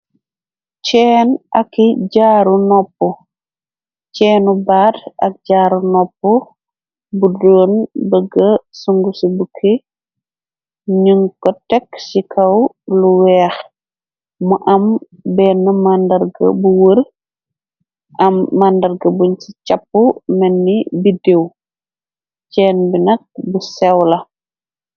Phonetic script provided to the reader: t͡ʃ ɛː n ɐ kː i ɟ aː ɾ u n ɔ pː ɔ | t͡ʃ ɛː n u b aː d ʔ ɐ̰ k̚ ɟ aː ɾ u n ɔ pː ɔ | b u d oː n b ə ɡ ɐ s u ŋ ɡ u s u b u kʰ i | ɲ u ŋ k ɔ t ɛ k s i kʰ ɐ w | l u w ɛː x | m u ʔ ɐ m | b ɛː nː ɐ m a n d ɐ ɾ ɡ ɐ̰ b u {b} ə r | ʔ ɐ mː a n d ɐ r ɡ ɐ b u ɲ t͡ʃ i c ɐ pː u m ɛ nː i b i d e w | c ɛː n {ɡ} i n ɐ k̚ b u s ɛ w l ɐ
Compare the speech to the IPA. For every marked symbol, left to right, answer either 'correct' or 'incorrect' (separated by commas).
incorrect, incorrect